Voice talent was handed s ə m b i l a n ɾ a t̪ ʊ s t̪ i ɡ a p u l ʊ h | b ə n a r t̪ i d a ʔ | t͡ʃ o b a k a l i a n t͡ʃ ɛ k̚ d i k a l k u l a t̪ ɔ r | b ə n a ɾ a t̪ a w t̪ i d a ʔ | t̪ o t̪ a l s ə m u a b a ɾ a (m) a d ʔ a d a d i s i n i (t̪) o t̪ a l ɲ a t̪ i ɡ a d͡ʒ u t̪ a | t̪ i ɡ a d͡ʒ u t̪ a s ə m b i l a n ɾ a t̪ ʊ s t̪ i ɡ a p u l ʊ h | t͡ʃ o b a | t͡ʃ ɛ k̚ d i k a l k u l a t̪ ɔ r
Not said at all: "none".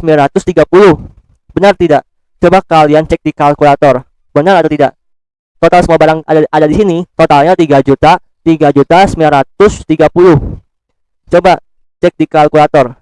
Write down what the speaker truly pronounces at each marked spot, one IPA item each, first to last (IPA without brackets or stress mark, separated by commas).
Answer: ŋ, t̪